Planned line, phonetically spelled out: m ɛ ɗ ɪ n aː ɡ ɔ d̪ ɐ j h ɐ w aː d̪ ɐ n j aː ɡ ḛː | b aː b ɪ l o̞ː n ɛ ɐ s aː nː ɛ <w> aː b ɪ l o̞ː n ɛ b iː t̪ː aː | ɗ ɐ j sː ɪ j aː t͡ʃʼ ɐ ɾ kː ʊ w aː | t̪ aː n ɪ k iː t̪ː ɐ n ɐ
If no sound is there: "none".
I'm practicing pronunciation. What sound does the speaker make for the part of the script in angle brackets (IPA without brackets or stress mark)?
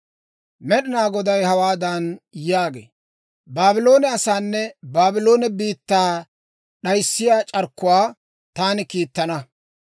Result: b